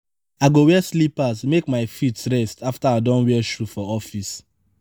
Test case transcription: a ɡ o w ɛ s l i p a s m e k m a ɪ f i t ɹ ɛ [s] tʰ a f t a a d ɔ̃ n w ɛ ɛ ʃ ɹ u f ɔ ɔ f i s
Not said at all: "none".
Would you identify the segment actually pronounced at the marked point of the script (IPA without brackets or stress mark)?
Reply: s